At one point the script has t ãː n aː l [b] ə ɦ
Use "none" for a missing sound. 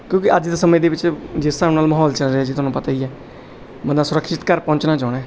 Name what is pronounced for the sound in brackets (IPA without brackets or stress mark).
m